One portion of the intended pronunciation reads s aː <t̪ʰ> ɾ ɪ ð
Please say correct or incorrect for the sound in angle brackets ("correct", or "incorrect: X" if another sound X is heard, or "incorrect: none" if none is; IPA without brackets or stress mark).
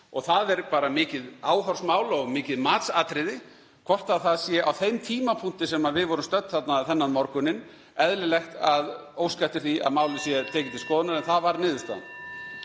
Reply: incorrect: t̪